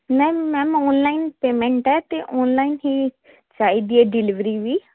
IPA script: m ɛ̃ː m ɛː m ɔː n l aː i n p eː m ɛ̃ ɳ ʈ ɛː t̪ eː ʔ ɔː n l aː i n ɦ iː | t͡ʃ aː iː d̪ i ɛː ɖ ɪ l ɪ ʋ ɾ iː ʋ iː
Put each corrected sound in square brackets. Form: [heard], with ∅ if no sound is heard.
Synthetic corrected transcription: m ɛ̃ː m ɛː m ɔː n l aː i n p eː m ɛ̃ ɳ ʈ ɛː t̪ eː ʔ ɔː n l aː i n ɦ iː | t͡ʃ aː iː d̪ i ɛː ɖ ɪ l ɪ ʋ ɾ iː ʋ iː